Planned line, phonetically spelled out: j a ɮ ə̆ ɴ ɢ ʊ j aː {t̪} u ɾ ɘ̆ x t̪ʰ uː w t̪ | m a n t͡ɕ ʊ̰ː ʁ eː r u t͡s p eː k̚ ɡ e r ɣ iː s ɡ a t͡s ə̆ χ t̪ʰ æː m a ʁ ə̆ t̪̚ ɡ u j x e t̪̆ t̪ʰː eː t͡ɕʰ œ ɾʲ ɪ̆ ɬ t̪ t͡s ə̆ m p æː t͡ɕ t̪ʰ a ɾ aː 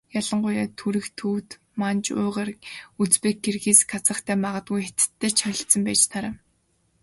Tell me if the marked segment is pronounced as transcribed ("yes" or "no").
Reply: no